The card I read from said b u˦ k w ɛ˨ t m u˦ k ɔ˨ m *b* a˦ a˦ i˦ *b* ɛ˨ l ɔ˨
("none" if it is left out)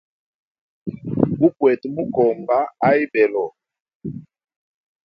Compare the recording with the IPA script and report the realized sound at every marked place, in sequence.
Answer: b, b

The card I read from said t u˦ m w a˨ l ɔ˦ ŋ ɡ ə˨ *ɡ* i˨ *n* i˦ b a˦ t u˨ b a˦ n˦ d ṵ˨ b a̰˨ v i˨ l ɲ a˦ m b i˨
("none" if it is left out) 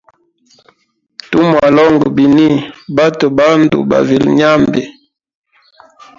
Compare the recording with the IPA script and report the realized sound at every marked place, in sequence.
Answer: b, n

